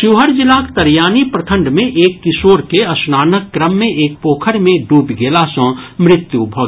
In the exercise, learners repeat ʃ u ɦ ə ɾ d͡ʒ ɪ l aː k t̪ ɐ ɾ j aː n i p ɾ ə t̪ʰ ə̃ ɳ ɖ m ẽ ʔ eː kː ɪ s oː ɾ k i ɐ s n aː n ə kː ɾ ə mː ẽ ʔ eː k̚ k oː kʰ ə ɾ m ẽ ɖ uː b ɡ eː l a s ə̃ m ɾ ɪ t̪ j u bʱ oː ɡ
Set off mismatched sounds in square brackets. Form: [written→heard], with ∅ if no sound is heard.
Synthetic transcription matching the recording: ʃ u ɦ ə ɾ d͡ʒ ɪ l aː k t̪ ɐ ɾ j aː n i p ɾ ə t̪ʰ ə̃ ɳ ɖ m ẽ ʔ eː kː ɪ s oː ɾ k [i→e] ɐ s n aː n ə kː ɾ ə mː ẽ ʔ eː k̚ [k→p] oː kʰ ə ɾ m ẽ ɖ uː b ɡ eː l a s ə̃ m ɾ ɪ t̪ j u bʱ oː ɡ